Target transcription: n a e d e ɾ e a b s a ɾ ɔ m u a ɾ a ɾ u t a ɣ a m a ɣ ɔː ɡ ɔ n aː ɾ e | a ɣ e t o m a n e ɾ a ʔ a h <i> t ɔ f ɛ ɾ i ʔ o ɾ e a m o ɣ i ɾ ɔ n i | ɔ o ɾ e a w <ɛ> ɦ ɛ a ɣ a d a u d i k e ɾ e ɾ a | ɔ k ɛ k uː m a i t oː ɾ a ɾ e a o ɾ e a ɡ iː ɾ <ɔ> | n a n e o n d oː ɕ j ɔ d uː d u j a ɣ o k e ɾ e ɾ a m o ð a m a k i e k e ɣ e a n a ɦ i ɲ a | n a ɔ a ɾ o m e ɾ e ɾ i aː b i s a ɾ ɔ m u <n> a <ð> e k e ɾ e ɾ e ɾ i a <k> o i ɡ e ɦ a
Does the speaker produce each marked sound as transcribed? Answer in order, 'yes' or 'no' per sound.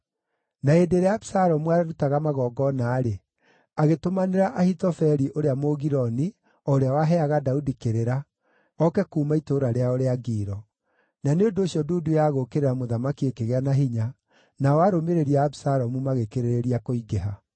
yes, no, yes, no, no, yes

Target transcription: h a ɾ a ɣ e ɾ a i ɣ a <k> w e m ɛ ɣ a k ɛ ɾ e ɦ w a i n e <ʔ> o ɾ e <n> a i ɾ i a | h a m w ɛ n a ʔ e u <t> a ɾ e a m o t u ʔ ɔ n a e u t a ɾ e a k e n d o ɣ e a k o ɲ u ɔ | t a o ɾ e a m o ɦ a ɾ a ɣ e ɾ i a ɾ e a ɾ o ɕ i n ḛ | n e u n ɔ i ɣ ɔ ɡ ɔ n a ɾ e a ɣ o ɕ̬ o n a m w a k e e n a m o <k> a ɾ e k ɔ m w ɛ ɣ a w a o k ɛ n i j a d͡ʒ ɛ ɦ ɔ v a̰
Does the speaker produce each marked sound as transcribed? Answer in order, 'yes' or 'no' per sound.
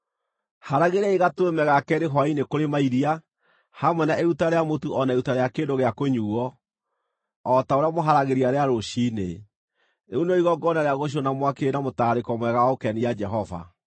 no, no, no, yes, no

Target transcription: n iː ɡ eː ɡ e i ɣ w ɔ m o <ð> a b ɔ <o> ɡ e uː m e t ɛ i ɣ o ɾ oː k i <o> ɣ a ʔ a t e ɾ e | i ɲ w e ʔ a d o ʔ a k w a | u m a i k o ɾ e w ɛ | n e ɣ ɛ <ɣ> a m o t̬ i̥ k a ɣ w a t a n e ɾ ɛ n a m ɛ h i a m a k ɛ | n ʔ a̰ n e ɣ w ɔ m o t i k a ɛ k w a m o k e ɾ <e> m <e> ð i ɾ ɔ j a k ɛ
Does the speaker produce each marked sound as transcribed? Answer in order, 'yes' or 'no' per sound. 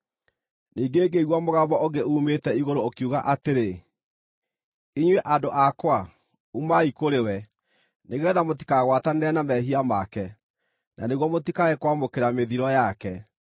no, yes, no, no, no, yes

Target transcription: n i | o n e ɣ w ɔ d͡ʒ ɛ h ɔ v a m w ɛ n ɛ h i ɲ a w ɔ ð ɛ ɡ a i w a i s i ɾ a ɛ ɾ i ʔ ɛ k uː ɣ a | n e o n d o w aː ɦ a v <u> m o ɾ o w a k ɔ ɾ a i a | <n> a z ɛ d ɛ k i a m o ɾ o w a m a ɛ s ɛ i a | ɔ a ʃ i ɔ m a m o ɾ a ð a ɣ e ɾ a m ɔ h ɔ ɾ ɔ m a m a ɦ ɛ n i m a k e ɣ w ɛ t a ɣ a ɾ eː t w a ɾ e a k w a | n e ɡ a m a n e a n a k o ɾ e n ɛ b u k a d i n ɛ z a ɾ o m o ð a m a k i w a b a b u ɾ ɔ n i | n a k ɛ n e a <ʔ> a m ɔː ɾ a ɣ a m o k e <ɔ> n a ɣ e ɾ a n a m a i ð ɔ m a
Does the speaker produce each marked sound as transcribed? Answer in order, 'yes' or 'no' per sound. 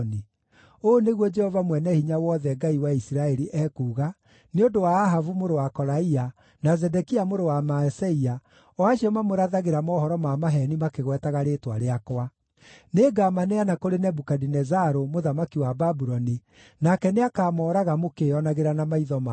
yes, yes, no, yes

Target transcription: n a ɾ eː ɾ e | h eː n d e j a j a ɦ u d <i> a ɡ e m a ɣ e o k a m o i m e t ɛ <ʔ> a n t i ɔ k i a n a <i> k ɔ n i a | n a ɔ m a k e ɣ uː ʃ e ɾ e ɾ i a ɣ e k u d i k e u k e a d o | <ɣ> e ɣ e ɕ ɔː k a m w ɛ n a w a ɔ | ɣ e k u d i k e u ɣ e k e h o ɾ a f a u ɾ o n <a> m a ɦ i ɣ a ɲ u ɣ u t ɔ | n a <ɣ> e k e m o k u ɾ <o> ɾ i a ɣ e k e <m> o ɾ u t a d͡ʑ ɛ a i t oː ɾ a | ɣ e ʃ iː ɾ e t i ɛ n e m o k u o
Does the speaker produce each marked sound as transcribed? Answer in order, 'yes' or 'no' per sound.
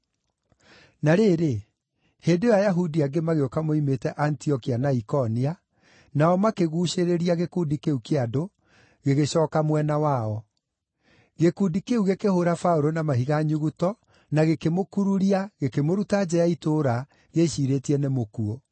yes, yes, yes, yes, yes, yes, no, yes

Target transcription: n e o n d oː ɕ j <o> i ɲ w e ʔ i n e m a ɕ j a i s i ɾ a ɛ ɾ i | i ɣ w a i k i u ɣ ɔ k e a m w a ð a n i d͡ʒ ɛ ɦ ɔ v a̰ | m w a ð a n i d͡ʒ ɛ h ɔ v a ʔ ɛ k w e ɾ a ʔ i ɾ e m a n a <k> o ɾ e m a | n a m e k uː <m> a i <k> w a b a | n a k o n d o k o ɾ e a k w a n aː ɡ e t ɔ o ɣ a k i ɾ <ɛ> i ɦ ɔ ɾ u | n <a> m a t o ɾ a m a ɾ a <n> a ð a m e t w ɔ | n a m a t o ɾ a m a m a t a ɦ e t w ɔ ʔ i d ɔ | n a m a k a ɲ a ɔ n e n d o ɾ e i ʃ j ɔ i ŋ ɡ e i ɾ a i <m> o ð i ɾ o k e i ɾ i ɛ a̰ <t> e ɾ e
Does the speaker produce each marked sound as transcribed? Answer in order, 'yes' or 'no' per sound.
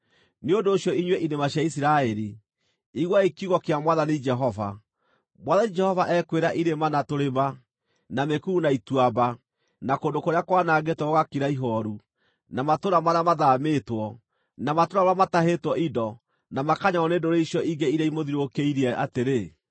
no, no, no, no, no, yes, no, yes, yes

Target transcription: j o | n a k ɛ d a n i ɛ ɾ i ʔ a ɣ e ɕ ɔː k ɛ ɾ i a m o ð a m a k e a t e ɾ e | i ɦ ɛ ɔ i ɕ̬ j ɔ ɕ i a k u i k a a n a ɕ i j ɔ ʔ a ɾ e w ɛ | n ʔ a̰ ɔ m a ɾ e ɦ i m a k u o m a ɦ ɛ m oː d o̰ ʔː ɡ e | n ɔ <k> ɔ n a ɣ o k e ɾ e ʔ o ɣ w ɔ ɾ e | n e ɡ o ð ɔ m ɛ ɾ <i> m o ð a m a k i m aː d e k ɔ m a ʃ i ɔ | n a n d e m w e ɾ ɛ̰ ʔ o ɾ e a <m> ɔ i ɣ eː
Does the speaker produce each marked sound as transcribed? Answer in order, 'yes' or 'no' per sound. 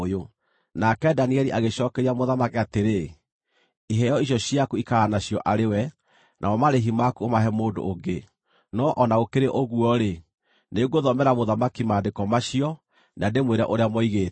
no, no, yes

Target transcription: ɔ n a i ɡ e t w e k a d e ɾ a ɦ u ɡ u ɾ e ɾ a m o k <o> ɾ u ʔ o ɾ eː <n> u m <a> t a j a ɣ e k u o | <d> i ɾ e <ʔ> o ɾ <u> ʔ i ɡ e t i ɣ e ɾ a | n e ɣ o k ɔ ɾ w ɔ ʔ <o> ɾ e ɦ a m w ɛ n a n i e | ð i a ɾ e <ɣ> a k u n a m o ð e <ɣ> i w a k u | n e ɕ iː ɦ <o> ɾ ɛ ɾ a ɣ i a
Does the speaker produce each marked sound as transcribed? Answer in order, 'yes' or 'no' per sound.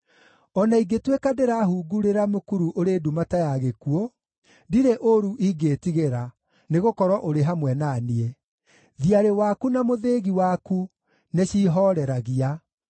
no, no, yes, yes, yes, yes, yes, no, yes, no

